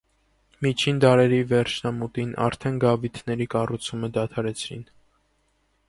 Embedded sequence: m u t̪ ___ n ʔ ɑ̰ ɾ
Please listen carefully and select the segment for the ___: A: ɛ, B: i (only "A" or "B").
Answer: B